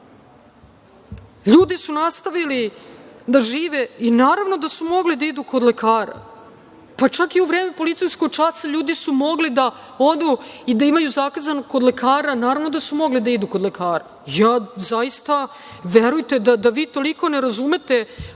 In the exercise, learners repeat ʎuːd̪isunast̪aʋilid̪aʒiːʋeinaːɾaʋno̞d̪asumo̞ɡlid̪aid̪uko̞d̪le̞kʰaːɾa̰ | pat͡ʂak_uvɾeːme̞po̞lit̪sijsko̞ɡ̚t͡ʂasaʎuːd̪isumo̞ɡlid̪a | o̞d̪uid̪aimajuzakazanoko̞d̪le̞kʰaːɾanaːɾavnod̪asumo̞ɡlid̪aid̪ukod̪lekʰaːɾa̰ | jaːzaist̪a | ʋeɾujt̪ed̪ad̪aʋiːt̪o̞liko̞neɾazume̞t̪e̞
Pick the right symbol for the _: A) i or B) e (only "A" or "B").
A